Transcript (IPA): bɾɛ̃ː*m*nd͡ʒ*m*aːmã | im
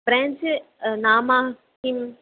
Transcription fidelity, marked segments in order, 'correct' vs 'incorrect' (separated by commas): incorrect, incorrect